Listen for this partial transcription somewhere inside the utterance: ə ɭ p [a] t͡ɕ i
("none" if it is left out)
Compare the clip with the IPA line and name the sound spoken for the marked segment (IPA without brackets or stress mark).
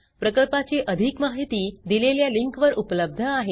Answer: a